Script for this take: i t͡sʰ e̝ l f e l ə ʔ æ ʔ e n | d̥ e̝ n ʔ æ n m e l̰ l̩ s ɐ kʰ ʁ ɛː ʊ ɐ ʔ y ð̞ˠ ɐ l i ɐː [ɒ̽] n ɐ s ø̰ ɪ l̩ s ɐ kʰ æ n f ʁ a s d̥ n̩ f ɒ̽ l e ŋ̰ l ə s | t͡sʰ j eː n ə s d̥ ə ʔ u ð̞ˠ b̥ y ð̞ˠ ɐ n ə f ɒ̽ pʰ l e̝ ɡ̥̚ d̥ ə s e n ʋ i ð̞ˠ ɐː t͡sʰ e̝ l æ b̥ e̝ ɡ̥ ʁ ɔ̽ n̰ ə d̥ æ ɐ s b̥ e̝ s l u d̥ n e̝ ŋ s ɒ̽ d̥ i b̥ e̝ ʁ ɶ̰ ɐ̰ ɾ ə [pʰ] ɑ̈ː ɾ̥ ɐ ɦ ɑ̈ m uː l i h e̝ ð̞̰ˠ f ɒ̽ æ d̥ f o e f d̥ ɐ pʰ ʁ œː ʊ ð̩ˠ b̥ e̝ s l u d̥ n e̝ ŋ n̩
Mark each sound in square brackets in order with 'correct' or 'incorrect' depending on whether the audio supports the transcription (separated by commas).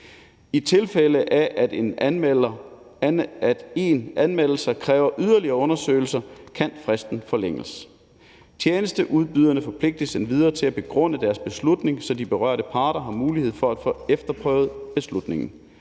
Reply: incorrect, correct